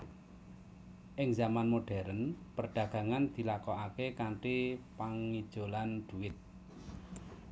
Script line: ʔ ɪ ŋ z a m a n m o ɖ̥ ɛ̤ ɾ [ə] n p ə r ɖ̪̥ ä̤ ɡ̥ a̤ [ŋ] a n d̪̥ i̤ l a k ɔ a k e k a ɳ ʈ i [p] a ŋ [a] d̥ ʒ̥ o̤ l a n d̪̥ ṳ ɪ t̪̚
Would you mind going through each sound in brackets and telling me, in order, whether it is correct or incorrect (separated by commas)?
correct, correct, correct, incorrect